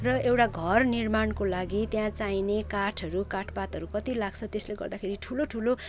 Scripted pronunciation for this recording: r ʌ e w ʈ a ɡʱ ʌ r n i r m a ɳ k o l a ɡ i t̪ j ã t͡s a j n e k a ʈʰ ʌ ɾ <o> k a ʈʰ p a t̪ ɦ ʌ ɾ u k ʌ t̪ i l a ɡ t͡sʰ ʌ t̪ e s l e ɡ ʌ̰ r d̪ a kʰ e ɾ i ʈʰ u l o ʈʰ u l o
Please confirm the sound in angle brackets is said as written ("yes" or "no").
no